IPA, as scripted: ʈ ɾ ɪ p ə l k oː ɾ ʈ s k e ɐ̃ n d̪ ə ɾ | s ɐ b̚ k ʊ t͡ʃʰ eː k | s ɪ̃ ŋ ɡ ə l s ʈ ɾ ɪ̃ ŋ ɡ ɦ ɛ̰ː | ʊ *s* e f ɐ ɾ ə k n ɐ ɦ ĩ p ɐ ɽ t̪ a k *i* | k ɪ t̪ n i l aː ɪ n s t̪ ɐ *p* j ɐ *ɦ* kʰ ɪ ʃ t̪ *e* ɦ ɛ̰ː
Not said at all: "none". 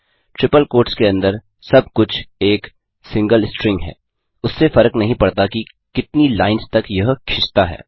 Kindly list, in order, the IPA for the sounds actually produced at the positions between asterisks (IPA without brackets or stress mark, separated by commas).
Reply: sː, i, k, ɦ, a